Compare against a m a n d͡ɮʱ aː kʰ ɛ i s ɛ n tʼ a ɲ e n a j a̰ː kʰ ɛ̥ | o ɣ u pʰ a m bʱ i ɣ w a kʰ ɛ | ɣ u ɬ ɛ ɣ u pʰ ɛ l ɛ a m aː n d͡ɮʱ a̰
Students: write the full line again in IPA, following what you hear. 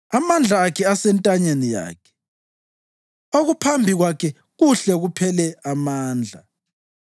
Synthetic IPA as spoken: a m a n d͡ɮʱ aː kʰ ɛ a s ɛ n tʼ a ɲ e n i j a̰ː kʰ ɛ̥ | o ɣ u pʰ a m bʱ i ɣ w a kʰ ɛ | ɣ u ɬ ɛ ɣ u pʰ ɛ l ɛ a m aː n d͡ɮʱ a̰